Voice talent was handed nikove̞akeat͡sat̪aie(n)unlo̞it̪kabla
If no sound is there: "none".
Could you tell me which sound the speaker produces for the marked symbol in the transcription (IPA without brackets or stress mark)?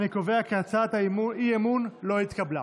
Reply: m